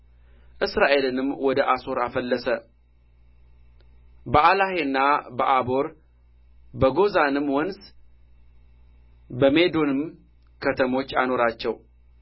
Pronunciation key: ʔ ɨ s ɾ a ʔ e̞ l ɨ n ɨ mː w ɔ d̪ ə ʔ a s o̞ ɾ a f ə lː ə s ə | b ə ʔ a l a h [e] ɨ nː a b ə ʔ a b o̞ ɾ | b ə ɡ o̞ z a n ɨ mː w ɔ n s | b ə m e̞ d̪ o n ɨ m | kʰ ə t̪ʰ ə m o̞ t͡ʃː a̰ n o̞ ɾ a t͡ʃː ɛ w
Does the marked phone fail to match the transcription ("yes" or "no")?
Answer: no